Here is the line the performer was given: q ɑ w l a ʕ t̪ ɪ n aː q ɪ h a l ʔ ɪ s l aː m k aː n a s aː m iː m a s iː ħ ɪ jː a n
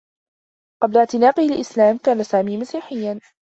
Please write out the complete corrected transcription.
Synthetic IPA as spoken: q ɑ b l a ʕ t̪ ɪ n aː q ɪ h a l ʔ ɪ s l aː m k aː n a s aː m iː m a s iː ħ ɪ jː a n